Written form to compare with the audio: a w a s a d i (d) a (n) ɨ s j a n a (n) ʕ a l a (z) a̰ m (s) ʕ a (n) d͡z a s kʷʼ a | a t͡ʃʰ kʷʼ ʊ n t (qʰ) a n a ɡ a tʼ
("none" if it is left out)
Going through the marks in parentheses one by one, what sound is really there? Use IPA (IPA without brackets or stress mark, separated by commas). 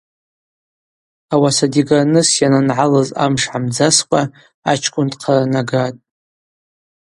ɡ, n, n, z, ʂ, m, qʰ